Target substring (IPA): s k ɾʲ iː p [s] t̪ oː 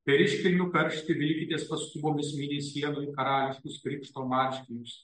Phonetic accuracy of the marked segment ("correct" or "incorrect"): incorrect